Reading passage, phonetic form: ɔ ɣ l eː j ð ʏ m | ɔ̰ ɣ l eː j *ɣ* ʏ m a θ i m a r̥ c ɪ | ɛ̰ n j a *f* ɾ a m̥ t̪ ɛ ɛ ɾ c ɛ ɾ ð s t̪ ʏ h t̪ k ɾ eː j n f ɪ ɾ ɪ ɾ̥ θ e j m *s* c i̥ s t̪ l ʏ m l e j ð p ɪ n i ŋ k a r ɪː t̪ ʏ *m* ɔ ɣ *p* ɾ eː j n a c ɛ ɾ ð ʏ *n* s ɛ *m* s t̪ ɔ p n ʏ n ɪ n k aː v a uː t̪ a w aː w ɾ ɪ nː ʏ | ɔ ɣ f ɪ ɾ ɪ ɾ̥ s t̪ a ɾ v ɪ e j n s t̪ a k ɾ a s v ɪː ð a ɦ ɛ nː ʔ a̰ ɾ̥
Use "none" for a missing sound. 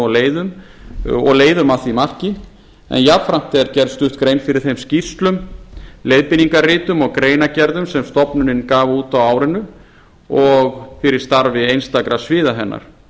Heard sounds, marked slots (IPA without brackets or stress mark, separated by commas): ð, f, s, m, k, m, m